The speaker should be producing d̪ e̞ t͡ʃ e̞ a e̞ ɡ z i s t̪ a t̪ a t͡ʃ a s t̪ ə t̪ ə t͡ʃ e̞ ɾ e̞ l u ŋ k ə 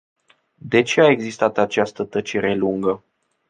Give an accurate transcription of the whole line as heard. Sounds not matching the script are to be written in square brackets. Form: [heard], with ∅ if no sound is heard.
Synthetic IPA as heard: d̪ e̞ t͡ʃ e̞ a e̞ ɡ z i s t̪ a t̪ a t͡ʃ a s t̪ ə t̪ ə t͡ʃ e̞ ɾ e̞ l u ŋ [ɡ] ə